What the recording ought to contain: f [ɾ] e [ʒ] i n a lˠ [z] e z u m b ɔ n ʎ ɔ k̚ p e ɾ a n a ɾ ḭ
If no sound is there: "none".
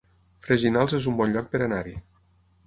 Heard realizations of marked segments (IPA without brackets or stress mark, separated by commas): ɾ, ʒ, z